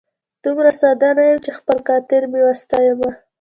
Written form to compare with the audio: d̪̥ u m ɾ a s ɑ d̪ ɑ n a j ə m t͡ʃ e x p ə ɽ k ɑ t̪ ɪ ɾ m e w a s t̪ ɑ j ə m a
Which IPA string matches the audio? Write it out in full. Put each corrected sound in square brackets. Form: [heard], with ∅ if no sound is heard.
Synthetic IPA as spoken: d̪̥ u m ɾ a s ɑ d̪ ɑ n a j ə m t͡ʃ e x p ə [l] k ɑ t̪ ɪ ɾ m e w a s t̪ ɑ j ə m a